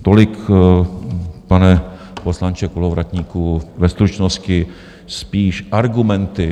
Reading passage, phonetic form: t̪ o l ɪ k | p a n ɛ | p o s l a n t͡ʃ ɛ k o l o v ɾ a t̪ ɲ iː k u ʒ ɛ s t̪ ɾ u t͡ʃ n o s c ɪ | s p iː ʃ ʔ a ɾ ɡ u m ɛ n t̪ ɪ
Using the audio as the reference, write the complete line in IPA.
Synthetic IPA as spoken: t̪ o l ɪ k | p a n ɛ | p o s l a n t͡ʃ ɛ k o l o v ɾ a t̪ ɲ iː k u v ɛ s t̪ ɾ u t͡ʃ n o s c ɪ | s p iː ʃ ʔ a ɾ ɡ u m ɛ n t̪ ɪ